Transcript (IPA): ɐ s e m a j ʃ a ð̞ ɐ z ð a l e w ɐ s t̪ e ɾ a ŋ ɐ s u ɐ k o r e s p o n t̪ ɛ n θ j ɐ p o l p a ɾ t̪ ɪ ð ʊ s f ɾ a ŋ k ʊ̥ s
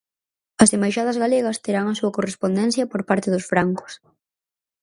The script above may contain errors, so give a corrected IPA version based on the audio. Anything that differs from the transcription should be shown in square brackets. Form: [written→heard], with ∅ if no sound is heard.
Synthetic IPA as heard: ɐ s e m a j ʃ a ð̞ ɐ z [ð→ɣ] a l e [w→ɣ] ɐ s t̪ e ɾ a ŋ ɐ s u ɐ k o r e s p o n [t̪→d̪] ɛ n θ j ɐ p o [l→ɾ] p a ɾ t̪ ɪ ð ʊ s f ɾ a ŋ k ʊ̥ s